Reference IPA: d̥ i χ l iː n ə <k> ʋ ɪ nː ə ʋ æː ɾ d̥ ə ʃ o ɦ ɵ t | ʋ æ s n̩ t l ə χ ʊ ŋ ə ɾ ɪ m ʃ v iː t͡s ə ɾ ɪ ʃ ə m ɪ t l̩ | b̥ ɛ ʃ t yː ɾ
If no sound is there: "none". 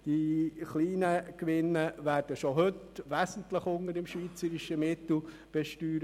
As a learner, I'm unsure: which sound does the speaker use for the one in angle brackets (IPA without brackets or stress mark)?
k